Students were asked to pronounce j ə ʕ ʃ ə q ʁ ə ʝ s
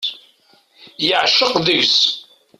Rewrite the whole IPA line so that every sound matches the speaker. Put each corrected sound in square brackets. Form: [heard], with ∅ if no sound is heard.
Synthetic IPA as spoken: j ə ʕ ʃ ə q [ð] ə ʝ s